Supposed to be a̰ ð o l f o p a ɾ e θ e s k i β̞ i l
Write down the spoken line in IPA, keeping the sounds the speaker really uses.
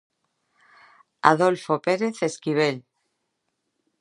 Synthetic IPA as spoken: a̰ ð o l f o p e ɾ e θ e s k i β̞ e l